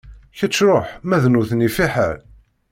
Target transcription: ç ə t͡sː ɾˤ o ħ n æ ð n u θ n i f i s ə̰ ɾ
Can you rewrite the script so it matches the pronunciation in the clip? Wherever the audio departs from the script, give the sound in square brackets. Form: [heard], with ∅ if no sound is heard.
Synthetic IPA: ç ə t͡sː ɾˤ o ħ [m] æ ð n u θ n i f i [ħ] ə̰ ɾ